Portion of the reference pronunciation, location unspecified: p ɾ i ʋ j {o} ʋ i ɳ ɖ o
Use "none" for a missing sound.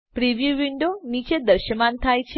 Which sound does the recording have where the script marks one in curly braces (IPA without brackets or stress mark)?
u